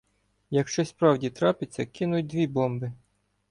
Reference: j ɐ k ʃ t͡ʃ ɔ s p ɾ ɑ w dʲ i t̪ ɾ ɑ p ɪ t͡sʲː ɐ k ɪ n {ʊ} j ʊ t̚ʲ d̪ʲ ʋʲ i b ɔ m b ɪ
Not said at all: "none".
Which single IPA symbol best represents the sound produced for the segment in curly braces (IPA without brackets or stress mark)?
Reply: ʊ